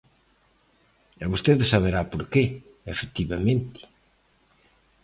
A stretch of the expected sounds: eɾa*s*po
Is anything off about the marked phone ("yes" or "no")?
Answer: yes